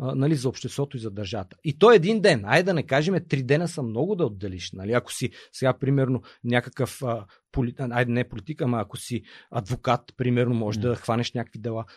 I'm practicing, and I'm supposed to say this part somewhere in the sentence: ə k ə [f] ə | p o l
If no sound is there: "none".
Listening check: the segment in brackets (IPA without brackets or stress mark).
f